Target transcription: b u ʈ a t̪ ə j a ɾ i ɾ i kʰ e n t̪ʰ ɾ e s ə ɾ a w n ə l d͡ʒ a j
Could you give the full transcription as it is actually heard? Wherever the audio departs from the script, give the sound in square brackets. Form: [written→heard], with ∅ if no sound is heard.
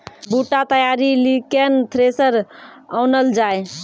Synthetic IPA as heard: b u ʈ a t̪ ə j a ɾ i [ɾ→l] i [kʰ→k] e n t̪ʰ ɾ e s ə ɾ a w n ə l d͡ʒ a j